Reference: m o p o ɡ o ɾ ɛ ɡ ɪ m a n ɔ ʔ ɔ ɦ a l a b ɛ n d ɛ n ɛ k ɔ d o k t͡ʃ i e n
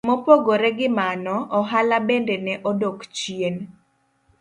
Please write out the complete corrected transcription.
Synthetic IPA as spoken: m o p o ɡ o ɾ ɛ ɡ ɪ m a n ɔ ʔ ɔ ɦ a l a b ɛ n d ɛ n ɛ ʔ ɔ d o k t͡ʃ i e n

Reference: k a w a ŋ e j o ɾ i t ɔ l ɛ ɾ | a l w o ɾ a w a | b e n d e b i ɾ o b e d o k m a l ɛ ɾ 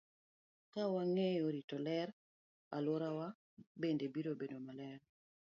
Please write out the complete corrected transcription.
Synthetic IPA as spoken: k a w a ŋ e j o ɾ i t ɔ l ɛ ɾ | a l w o ɾ a w a | b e n d e b i ɾ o b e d o m a l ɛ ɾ

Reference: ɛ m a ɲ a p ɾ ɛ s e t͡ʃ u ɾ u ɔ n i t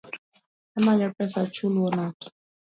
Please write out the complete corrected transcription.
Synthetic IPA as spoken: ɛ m a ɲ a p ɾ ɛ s a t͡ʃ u l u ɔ n a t

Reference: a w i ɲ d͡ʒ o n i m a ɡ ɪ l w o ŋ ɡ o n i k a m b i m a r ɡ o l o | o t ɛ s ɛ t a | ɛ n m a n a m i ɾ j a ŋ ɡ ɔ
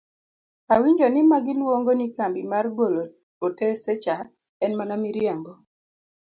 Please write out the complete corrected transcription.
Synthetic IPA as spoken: a w i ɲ d͡ʒ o n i m a ɡ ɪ l w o ŋ ɡ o n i k a m b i m a r ɡ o l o | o t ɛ s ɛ t͡ʃ a | ɛ n m a n a m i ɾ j a ŋ ɡ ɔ

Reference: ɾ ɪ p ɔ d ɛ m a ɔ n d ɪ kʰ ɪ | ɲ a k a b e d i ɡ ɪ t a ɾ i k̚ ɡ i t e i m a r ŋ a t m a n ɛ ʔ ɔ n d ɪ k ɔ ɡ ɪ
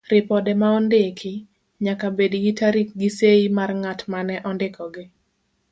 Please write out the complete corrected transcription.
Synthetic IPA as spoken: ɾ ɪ p ɔ d ɛ m a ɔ n d ɪ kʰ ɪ | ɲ a k a b e d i ɡ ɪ t a ɾ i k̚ ɡ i s e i m a r ŋ a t m a n ɛ ʔ ɔ n d ɪ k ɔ ɡ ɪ

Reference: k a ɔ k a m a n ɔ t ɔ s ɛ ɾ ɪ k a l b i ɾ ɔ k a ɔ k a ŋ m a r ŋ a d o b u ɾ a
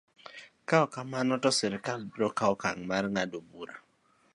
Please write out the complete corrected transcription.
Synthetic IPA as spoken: k a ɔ k a m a n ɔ t ɔ s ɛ ɾ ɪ k a l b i ɾ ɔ k a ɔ k a ŋ m a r ŋ a d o b u ɾ a

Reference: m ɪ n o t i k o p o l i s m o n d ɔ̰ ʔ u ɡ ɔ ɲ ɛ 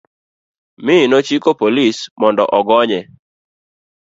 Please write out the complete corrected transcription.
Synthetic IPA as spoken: m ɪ n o t͡ʃ i k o p o l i s m ɔ n d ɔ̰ ʔ ɔ ɡ ɔ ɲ ɛ

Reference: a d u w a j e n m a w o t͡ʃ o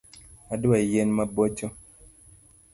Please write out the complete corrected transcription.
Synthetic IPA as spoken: a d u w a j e n m a b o t͡ʃ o

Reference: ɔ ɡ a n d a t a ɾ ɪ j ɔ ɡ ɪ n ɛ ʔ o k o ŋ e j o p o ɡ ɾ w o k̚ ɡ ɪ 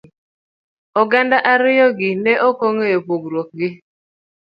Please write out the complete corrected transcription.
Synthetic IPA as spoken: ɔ ɡ a n d a ʔ a ɾ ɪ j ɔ ɡ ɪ n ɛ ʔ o k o ŋ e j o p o ɡ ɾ w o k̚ ɡ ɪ

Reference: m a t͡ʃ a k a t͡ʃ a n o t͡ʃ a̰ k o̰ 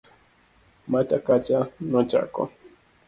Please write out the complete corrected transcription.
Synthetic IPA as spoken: m a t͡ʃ a k a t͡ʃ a n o t͡ʃ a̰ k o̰

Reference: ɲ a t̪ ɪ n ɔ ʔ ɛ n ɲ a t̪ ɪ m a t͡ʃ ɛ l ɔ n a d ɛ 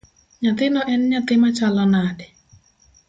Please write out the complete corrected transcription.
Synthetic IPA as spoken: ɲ a t̪ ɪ n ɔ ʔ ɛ n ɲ a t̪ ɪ m a t͡ʃ a l ɔ n a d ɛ

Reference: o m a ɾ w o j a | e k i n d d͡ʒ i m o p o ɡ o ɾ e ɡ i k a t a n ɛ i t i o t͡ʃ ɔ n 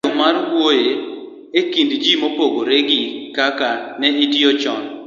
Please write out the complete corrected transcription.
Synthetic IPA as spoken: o m a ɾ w o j e | e k i n d d͡ʒ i m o p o ɡ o ɾ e ɡ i k a k a n ɛ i t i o t͡ʃ ɔ n

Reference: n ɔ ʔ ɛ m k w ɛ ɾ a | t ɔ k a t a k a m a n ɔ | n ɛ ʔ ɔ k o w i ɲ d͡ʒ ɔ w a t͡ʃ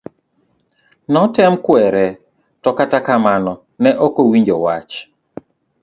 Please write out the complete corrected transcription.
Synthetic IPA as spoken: n ɔ t ɛ m k w ɛ ɾ ɛ | t ɔ k a t a k a m a n ɔ | n ɛ ʔ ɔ k o w i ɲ d͡ʒ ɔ w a t͡ʃ

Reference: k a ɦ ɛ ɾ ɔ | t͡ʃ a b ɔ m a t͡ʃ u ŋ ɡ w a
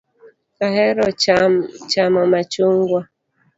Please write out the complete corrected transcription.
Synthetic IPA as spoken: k a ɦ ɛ ɾ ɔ | t͡ʃ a m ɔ m a t͡ʃ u ŋ ɡ w a

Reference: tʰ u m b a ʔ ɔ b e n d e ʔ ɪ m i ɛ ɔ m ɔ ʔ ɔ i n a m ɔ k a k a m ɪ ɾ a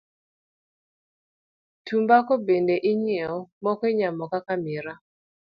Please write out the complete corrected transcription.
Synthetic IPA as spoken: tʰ u m b a k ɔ b e n d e ʔ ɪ ɲ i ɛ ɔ m ɔ k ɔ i ɲ a m ɔ k a k a m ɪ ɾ a

